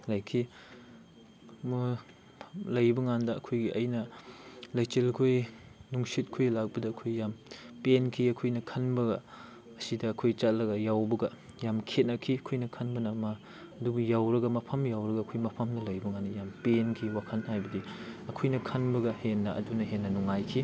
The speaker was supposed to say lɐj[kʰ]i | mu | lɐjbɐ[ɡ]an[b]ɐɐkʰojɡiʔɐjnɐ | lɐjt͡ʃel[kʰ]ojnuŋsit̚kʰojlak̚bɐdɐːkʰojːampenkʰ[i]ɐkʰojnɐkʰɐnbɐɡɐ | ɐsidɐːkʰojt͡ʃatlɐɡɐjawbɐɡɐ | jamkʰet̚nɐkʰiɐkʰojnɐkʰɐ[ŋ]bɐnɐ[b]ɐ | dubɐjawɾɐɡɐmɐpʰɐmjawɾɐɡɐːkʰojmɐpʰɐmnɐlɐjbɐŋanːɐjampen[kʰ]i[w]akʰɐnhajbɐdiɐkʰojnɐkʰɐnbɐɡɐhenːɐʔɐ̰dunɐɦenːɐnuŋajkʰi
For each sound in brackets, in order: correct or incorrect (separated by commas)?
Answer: correct, incorrect, incorrect, correct, correct, incorrect, incorrect, correct, correct